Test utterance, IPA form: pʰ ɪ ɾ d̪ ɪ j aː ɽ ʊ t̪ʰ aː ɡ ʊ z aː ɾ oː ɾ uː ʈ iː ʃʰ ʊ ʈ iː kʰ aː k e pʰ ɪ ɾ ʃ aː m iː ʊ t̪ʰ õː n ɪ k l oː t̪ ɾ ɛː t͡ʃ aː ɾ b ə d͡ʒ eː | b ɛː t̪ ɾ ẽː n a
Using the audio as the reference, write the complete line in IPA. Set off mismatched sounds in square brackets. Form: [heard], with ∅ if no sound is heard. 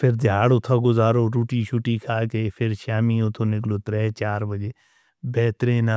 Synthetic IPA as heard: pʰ ɪ ɾ d̪ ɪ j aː ɽ ʊ t̪ʰ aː ɡ ʊ z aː ɾ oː ɾ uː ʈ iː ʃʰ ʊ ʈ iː kʰ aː k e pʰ ɪ ɾ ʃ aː m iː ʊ t̪ʰ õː n ɪ k l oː t̪ ɾ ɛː t͡ʃ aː ɾ b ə d͡ʒ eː | b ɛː t̪ ɾ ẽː n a